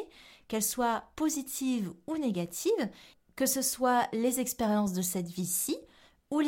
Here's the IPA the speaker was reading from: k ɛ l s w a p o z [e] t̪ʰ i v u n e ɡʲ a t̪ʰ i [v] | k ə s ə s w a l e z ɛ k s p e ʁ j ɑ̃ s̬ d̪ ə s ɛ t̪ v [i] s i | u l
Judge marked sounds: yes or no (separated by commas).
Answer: no, yes, yes